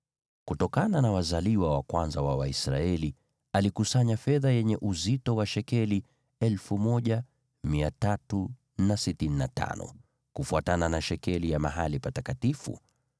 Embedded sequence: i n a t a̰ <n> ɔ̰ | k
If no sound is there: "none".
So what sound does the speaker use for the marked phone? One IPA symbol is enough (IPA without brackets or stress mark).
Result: n